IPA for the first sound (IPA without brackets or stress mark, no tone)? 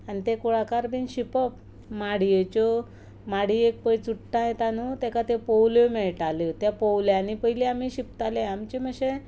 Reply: a